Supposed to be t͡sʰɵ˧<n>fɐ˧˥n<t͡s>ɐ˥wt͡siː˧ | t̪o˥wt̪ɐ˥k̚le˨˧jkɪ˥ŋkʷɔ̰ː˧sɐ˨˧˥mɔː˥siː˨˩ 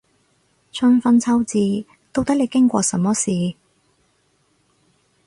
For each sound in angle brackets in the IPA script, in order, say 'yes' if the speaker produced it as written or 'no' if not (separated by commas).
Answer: yes, no